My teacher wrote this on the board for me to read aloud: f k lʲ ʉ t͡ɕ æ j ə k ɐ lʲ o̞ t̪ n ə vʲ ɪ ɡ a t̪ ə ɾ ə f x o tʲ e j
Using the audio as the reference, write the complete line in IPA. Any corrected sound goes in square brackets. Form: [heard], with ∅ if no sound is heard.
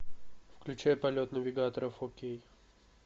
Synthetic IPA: f k lʲ ʉ t͡ɕ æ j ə [p] ɐ lʲ o̞ t̪ n ə vʲ ɪ ɡ a t̪ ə ɾ ə f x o [kʲ] e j